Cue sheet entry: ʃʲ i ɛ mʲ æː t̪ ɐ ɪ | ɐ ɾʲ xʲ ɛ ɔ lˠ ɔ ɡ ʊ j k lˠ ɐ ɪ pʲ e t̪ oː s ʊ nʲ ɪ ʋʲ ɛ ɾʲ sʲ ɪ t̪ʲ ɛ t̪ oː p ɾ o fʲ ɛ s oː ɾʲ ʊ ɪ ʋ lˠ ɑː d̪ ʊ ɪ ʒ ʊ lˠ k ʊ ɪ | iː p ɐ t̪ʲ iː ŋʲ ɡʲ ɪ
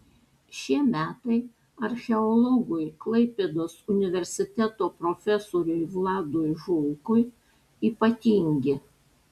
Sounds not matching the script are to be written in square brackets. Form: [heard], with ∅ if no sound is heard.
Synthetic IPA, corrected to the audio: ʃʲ i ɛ mʲ æː t̪ ɐ ɪ | ɐ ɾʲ xʲ ɛ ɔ lˠ ɔ ɡ ʊ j k lˠ ɐ ɪ pʲ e [d̪] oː s ʊ nʲ ɪ ʋʲ ɛ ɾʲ sʲ ɪ t̪ʲ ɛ t̪ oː p ɾ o fʲ ɛ s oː ɾʲ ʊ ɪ ʋ lˠ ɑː d̪ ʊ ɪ ʒ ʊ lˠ k ʊ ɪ | iː p ɐ t̪ʲ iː ŋʲ ɡʲ ɪ